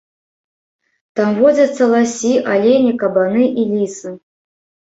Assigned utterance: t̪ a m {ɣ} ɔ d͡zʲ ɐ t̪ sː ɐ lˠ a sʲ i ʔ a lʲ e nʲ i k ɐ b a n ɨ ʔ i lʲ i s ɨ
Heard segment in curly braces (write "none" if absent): v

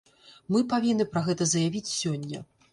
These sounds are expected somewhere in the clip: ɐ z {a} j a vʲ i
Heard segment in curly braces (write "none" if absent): ɐ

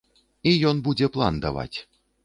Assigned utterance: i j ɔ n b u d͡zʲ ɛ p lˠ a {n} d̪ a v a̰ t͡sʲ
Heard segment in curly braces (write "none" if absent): n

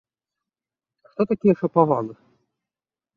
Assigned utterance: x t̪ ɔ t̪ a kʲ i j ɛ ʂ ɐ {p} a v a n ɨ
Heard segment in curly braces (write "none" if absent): p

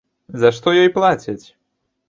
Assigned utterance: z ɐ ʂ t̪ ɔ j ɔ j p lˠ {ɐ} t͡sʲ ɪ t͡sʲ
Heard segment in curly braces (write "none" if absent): a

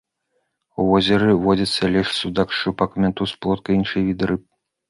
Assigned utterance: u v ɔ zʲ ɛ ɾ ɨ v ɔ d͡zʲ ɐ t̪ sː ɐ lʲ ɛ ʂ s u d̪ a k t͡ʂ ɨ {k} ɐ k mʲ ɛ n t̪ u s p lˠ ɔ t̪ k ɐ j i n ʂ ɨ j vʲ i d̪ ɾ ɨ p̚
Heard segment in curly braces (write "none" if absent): p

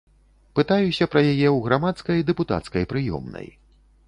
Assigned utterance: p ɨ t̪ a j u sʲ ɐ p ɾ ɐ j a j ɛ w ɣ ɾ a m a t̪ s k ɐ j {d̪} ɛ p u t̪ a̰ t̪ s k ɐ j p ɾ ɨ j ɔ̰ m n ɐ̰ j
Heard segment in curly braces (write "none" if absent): d̪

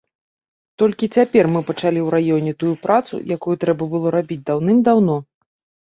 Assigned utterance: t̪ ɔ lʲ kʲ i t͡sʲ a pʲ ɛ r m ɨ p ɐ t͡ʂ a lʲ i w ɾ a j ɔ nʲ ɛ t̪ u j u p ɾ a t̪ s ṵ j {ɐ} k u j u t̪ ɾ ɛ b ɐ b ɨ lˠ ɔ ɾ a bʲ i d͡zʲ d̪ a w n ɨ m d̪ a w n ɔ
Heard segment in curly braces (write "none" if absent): a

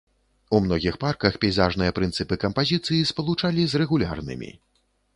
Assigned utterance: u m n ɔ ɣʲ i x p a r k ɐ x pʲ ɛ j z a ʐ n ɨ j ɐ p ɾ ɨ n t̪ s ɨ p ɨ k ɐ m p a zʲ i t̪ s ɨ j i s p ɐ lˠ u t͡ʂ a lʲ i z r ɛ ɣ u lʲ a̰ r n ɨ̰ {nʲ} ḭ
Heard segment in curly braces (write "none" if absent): mʲ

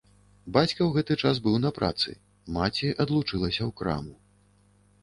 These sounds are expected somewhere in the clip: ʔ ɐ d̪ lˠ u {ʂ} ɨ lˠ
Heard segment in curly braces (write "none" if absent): t͡ʂ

